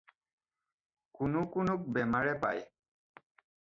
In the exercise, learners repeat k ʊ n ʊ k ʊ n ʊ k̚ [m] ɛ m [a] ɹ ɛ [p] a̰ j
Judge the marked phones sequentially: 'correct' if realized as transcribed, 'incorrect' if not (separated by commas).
incorrect, correct, correct